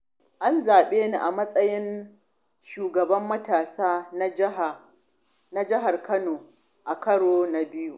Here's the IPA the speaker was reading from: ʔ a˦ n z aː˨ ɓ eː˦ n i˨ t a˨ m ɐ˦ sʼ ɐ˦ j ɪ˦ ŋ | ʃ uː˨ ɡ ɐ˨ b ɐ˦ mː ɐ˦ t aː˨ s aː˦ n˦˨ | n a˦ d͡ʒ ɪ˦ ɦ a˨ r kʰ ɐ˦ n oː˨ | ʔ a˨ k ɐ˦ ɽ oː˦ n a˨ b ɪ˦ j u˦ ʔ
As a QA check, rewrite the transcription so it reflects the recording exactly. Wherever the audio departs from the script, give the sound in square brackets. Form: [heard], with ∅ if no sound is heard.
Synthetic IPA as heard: ʔ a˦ n z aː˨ ɓ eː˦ n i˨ [ʔ] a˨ m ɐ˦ sʼ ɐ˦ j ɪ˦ [n] | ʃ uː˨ ɡ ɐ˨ b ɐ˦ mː ɐ˦ t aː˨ s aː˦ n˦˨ | n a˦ d͡ʒ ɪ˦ ɦ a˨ r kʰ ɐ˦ n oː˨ | ʔ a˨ k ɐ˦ ɽ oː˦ n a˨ b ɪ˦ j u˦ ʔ